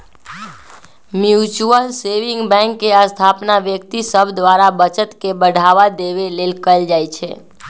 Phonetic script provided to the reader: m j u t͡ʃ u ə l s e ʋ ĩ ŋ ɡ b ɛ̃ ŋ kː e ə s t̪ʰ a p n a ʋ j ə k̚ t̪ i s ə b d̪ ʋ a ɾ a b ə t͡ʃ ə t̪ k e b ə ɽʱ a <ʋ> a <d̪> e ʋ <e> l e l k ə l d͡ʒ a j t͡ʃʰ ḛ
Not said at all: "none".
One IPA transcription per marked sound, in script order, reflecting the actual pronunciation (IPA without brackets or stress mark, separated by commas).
ʋ, d̪, e